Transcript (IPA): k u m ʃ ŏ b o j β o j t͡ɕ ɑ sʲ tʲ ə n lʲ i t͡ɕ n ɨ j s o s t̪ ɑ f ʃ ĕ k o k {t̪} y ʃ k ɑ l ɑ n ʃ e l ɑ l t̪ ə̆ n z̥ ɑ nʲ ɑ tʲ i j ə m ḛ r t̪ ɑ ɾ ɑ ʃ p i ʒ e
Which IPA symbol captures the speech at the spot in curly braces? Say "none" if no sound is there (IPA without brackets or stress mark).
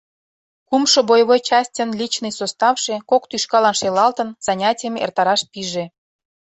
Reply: t̪